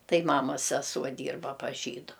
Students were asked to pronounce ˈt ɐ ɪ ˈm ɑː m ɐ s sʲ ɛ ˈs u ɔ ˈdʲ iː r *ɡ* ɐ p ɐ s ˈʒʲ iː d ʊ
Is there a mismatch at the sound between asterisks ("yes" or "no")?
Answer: yes